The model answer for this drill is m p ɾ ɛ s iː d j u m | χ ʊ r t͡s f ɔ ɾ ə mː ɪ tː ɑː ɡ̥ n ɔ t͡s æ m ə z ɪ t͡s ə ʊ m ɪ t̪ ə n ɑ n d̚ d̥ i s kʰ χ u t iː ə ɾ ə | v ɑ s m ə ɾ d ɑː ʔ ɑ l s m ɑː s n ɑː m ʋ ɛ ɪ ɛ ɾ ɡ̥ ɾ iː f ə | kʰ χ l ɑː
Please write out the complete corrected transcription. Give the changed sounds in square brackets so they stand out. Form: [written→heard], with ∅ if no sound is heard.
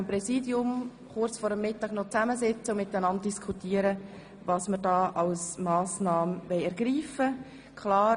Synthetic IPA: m p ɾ ɛ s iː d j [u→ʊ] m | χ ʊ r t͡s f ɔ ɾ ə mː ɪ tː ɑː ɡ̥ n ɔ t͡s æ m ə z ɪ t͡s ə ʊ m ɪ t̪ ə n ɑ n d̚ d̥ i s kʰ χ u t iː ə ɾ ə | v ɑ s m ə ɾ d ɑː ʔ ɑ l s m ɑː s n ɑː m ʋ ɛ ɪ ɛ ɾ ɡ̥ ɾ iː f ə | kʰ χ l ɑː